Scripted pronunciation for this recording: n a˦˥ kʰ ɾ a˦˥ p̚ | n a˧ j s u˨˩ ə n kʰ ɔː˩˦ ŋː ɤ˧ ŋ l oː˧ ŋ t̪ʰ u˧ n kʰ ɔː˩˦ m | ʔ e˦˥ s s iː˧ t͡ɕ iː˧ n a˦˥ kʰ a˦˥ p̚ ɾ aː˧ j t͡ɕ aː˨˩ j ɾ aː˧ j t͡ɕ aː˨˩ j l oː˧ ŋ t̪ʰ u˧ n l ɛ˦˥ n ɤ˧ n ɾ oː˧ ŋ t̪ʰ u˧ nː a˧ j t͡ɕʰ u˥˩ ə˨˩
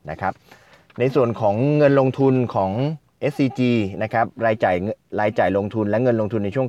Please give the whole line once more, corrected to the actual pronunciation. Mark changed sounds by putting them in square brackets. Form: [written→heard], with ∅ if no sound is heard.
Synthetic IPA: n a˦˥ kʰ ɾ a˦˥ p̚ | n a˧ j s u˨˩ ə n kʰ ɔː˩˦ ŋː ɤ˧ [ŋ→n] l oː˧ ŋ t̪ʰ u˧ n kʰ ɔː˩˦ [m→ŋ] | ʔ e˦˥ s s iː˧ t͡ɕ iː˧ n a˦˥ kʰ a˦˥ p̚ ɾ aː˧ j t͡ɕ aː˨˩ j ɾ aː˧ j t͡ɕ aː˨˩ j l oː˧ ŋ t̪ʰ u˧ n l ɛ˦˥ [n→ŋ] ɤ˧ n [ɾ→l] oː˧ ŋ t̪ʰ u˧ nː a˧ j t͡ɕʰ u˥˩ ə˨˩